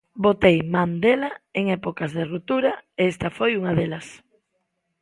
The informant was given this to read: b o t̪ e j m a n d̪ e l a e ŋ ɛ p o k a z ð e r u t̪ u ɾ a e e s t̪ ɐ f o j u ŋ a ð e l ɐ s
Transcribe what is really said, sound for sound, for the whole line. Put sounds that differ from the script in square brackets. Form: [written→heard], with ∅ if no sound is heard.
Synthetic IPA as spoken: b o t̪ e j m a n d̪ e l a e ŋ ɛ p o k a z ð e r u t̪ u ɾ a e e s t̪ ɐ f o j u ŋ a ð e l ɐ s